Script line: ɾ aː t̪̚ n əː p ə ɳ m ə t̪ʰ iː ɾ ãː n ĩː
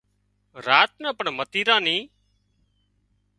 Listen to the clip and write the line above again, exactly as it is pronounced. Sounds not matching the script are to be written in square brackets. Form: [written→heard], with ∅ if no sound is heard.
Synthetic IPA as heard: ɾ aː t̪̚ n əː p ə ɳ m ə [t̪ʰ→t̪] iː ɾ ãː n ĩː